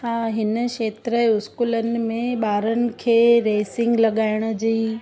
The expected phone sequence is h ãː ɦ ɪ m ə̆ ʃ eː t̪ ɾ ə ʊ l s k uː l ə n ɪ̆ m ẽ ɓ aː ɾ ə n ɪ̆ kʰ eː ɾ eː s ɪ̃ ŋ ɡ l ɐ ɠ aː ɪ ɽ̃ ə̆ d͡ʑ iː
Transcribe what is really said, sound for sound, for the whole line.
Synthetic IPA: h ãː ɦ ɪ n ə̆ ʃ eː t̪ ɾ ə ʊ s k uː l ə n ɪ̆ m ẽ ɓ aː ɾ ə n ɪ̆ kʰ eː ɾ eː s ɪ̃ ŋ ɡ l ɐ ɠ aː ɪ ɽ̃ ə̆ d͡ʑ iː